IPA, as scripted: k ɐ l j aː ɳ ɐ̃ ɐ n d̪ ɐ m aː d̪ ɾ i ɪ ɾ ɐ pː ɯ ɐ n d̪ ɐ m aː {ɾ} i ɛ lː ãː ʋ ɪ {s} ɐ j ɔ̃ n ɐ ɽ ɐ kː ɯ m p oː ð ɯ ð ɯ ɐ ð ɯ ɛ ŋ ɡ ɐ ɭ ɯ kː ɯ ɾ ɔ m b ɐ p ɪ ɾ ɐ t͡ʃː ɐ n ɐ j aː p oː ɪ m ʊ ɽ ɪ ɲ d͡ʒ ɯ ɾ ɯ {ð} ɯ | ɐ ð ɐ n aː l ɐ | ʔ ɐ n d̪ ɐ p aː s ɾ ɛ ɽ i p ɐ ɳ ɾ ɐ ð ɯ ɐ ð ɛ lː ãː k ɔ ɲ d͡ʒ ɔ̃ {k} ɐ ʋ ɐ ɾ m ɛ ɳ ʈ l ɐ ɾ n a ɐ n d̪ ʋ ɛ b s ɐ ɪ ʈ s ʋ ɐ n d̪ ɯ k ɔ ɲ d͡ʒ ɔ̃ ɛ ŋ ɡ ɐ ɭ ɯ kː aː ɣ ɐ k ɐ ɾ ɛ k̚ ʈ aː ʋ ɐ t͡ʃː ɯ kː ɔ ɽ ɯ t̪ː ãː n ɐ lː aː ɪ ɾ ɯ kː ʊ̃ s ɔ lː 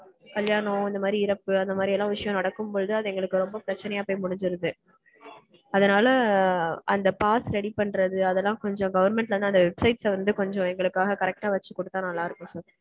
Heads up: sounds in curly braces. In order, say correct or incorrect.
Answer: correct, incorrect, correct, incorrect

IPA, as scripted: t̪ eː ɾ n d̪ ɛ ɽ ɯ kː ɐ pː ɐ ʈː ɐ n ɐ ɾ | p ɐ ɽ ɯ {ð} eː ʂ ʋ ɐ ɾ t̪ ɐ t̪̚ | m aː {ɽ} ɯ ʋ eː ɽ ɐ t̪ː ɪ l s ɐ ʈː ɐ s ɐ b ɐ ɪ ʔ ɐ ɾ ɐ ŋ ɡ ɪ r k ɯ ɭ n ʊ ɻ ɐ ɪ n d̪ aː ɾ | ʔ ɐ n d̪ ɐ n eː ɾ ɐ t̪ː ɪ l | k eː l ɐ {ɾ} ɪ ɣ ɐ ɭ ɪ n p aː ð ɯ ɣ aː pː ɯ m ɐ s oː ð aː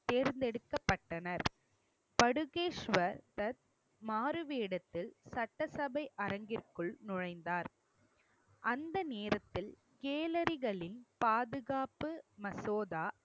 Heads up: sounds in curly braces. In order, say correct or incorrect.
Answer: incorrect, incorrect, correct

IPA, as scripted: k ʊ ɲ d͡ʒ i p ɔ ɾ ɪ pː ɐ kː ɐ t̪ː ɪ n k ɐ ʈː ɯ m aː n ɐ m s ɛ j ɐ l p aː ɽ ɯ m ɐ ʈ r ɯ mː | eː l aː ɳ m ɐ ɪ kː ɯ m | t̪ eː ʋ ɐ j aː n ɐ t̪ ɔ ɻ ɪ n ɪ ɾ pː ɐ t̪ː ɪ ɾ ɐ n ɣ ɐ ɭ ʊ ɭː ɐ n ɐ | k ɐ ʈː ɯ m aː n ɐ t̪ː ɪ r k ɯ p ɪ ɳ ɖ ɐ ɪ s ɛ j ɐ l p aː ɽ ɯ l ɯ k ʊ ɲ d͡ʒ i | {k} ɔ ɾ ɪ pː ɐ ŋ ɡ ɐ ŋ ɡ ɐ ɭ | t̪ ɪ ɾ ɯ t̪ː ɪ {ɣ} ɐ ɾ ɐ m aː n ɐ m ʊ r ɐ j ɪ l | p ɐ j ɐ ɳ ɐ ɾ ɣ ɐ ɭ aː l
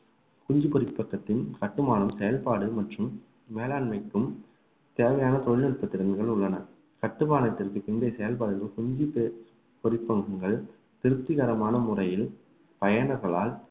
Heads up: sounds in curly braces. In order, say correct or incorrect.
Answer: incorrect, correct

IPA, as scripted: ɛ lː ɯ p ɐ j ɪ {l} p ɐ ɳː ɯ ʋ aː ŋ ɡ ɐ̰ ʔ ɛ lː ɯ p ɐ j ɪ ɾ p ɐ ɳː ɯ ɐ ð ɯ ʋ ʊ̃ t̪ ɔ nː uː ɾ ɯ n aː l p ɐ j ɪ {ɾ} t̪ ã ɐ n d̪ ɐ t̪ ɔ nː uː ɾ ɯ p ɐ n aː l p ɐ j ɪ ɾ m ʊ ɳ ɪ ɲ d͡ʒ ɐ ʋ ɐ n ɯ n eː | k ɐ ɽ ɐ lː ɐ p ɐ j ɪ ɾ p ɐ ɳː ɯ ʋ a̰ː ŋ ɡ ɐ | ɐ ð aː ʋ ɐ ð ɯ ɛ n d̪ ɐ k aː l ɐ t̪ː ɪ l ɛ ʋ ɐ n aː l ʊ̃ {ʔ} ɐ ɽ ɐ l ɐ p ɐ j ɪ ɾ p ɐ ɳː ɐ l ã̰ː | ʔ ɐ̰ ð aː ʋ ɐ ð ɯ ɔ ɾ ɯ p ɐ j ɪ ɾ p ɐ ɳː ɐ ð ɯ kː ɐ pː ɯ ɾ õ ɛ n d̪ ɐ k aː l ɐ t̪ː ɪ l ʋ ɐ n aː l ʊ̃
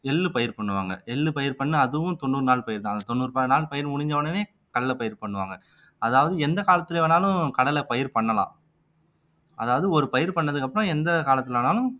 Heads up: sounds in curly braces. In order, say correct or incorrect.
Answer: incorrect, correct, incorrect

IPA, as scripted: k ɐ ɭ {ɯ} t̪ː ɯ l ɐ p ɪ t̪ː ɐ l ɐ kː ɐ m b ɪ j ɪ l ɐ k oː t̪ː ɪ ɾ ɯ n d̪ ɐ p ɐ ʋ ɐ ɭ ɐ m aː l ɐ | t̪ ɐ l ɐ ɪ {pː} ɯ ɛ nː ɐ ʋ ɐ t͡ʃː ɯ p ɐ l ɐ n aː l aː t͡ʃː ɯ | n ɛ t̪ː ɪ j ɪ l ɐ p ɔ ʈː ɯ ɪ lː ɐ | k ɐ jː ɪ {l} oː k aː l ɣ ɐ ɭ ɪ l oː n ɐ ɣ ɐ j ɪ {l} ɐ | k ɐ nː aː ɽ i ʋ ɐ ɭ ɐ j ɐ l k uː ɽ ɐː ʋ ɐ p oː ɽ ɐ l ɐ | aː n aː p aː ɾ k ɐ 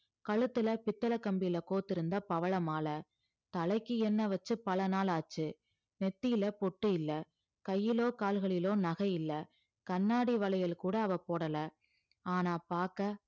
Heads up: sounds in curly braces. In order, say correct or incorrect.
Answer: correct, incorrect, correct, incorrect

